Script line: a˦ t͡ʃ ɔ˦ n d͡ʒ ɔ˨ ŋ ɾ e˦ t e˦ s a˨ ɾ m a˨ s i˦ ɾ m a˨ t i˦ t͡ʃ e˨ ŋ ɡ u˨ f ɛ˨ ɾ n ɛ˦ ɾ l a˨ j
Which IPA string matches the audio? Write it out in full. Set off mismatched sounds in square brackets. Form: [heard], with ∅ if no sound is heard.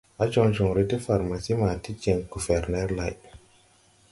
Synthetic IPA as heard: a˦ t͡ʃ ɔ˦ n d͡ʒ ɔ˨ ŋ ɾ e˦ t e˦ [f] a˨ ɾ m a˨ s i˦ [∅] m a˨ t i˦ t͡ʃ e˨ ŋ ɡ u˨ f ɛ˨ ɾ n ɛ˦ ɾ l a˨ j

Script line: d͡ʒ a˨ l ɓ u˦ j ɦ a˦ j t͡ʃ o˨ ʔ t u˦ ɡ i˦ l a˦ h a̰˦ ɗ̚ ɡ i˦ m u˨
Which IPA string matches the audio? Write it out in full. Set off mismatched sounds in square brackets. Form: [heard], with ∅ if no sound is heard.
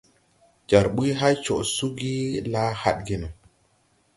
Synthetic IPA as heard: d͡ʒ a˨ [ɾ] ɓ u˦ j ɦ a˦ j t͡ʃ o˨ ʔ [s] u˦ ɡ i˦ l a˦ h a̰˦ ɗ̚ ɡ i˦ [n] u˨

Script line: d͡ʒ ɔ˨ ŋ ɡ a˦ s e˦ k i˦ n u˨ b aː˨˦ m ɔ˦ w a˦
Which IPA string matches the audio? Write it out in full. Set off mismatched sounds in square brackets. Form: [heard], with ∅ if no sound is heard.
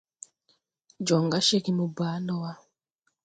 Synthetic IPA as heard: d͡ʒ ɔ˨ ŋ ɡ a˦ [ʃ] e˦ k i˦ [m] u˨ b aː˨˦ [n] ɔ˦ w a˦

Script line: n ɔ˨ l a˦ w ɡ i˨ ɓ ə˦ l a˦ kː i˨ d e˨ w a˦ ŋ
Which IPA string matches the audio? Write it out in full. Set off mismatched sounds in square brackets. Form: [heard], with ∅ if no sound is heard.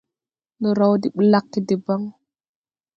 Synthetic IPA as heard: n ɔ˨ [ɾ] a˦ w [d] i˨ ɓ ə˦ l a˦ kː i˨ d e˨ [b] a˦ ŋ

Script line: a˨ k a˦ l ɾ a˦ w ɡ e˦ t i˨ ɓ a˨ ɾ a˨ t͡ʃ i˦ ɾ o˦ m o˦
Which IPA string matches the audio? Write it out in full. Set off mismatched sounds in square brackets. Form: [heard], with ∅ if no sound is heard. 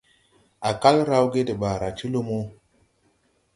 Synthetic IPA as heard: a˨ k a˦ l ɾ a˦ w ɡ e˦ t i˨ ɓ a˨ ɾ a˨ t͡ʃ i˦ [l] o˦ m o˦

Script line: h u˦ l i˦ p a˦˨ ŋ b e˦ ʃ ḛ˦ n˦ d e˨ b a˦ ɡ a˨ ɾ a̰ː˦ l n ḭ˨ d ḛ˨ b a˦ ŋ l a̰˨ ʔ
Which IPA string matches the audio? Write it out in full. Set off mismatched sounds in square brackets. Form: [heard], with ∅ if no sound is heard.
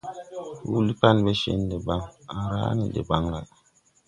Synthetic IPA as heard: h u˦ l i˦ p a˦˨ [n] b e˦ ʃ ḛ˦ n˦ d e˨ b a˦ [ŋ] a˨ ɾ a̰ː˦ [∅] n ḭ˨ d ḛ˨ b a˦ ŋ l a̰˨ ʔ

